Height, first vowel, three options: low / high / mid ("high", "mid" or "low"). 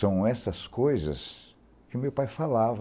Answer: low